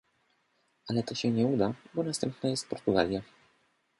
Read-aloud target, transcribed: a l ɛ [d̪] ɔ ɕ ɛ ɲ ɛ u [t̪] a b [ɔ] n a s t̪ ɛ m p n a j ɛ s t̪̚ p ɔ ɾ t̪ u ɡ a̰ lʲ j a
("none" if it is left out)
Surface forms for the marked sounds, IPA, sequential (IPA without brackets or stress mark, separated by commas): t̪, d̪, ɔ